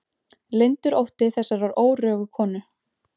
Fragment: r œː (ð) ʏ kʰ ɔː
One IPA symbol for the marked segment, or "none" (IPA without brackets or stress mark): ɣ